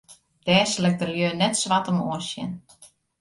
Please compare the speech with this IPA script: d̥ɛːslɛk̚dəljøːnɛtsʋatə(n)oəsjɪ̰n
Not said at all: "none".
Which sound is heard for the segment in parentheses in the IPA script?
m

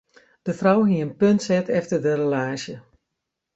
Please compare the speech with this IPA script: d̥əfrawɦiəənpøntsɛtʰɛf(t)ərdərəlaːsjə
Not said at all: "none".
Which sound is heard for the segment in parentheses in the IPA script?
t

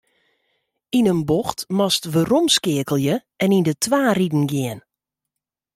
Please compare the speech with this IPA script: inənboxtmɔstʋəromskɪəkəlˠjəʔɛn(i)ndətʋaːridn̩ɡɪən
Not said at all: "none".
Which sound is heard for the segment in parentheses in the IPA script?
i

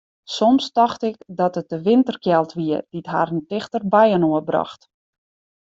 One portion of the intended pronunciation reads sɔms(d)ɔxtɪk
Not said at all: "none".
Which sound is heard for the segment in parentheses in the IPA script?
t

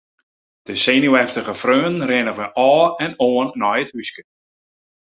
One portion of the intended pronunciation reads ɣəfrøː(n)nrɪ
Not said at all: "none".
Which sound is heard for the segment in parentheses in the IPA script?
n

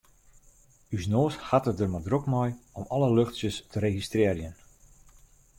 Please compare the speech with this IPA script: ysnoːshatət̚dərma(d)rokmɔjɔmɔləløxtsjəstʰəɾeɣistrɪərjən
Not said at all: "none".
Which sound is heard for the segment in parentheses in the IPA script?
d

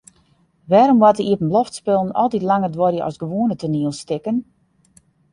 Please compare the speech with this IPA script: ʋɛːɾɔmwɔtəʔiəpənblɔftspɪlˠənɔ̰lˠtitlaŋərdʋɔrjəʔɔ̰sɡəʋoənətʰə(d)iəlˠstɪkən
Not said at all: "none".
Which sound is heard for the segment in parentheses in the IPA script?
n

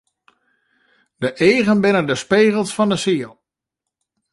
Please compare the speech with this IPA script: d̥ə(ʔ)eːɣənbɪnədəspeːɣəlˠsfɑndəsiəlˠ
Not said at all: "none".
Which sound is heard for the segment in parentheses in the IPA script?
ʔ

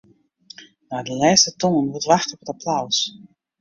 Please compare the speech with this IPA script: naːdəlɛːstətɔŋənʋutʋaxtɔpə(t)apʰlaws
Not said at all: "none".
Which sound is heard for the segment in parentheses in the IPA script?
t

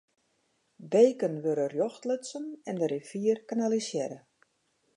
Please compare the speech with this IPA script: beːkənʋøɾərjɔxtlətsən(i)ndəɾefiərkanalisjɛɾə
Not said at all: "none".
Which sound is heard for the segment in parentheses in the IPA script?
ɛ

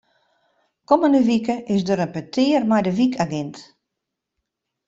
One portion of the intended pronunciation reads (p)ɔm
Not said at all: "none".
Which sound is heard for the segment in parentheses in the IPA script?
k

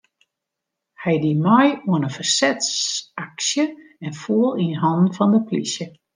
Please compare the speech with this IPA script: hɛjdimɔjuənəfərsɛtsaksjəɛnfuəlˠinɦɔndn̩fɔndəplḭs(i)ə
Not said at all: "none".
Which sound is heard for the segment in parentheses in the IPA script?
j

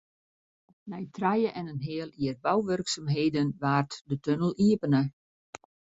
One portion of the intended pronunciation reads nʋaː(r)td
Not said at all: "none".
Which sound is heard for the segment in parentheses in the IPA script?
r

